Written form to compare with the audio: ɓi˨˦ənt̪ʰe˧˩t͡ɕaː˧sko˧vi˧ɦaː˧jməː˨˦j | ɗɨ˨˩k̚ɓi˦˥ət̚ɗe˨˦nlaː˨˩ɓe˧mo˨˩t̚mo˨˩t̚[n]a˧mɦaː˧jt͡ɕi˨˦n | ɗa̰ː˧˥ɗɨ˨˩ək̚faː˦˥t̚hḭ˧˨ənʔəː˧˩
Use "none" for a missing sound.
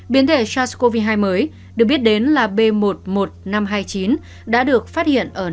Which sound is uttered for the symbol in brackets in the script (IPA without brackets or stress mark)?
n